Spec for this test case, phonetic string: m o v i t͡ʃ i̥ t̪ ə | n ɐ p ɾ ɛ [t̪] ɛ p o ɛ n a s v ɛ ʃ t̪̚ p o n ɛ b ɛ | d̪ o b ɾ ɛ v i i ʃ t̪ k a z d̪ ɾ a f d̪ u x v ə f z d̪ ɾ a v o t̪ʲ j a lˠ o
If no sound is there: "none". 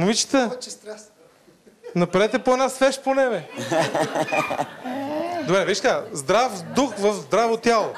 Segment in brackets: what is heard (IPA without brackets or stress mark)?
t̪